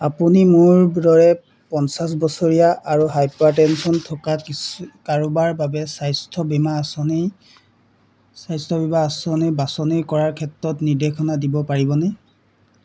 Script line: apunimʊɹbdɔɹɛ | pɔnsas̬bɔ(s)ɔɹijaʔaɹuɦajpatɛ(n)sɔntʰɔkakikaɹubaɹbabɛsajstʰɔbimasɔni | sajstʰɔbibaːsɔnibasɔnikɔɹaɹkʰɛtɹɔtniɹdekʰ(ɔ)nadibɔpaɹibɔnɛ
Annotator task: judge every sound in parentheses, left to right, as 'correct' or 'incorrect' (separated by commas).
correct, correct, correct